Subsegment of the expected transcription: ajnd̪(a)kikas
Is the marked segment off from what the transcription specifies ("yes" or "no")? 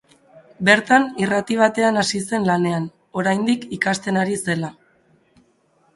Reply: yes